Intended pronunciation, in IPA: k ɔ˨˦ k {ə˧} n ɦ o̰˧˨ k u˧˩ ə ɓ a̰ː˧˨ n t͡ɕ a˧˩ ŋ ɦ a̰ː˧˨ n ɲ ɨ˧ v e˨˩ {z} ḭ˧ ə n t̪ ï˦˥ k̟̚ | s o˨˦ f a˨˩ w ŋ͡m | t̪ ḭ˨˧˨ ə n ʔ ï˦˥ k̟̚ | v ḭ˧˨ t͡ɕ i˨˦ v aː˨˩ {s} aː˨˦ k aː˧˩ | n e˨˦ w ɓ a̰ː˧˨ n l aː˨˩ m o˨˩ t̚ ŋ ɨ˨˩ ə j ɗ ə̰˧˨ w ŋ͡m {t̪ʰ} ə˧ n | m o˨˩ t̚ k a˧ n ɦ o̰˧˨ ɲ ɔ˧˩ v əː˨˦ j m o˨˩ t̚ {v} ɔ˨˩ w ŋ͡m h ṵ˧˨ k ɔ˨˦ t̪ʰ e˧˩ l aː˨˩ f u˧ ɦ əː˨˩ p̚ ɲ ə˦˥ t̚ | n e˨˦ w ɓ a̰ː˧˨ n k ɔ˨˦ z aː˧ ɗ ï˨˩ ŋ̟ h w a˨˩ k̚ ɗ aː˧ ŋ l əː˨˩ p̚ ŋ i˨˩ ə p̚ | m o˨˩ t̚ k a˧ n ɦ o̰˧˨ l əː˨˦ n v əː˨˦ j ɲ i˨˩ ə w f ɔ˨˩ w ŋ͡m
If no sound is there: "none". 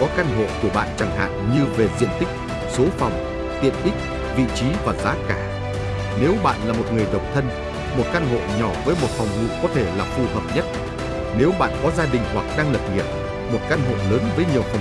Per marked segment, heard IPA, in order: a˧, z, z, t̪ʰ, f

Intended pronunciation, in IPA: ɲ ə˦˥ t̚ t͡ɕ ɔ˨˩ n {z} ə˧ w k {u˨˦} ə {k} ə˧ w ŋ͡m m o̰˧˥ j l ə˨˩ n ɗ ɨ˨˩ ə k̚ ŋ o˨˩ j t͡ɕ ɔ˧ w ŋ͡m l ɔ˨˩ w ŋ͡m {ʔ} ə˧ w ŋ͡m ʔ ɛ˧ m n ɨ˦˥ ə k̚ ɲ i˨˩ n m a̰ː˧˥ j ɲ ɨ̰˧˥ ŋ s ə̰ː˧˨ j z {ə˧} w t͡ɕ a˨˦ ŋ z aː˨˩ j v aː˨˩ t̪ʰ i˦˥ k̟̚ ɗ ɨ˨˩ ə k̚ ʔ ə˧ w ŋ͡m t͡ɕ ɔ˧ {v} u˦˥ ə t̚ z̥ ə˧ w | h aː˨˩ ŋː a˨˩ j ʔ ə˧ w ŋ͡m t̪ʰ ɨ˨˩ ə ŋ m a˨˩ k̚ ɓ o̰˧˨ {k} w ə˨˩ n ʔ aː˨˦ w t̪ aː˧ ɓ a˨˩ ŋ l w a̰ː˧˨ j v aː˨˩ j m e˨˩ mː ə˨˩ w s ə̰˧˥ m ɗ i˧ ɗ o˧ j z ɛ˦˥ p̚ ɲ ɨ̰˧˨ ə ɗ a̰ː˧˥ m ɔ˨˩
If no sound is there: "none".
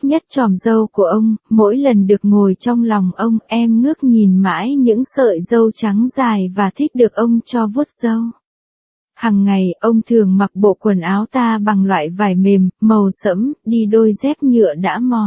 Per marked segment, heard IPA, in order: z, u˧˩, ʔ, ʔ, ə˧, v, k

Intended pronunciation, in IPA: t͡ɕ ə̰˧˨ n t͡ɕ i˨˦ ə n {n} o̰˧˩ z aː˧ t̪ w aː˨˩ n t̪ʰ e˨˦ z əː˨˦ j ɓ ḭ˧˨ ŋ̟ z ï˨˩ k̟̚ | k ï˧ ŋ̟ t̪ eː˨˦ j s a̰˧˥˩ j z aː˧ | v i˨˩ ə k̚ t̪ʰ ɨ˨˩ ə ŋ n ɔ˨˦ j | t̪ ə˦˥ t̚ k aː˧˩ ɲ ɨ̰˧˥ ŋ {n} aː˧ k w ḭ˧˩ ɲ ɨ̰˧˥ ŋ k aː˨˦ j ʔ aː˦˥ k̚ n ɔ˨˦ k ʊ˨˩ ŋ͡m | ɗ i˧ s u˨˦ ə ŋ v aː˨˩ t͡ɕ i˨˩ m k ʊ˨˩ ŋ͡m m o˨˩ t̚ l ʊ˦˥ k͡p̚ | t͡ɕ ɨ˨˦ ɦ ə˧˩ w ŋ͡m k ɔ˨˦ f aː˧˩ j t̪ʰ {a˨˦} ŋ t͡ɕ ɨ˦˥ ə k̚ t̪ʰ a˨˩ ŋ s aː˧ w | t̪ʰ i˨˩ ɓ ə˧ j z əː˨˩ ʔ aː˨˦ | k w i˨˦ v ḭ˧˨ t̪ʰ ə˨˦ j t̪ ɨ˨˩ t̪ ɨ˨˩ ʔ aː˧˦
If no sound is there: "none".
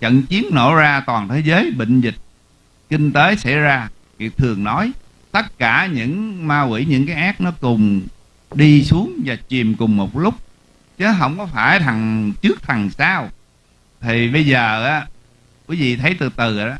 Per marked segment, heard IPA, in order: n, m, a˨˩

